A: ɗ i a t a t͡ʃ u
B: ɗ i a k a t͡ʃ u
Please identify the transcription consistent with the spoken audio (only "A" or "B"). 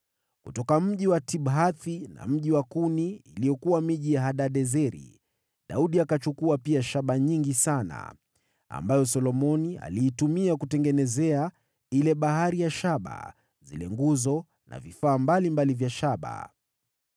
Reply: B